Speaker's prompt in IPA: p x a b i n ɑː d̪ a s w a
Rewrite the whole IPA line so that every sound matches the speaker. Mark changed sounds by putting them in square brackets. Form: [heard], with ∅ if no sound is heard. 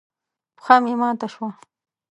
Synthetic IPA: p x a [m] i [m] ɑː [t̪] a [ʃ] w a